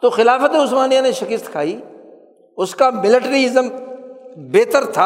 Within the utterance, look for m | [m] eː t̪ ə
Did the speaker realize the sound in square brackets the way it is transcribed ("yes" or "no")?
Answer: no